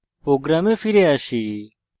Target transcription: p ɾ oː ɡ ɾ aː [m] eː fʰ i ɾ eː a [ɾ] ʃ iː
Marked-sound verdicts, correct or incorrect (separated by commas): correct, incorrect